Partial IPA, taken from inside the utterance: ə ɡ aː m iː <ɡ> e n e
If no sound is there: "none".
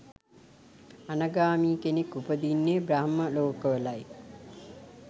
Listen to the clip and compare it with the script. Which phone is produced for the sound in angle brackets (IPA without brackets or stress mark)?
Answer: k